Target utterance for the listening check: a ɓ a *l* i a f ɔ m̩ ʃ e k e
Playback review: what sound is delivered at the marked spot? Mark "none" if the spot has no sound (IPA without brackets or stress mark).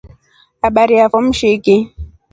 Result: ɾ